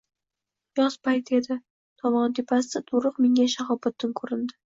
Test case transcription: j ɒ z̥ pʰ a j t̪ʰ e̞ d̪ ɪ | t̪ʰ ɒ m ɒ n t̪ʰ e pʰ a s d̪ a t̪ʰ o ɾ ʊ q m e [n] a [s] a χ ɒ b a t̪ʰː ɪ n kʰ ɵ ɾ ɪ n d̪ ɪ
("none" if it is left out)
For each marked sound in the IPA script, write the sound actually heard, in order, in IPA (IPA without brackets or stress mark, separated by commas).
ŋ, ʃ